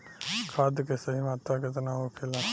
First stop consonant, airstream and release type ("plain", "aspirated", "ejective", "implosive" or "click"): aspirated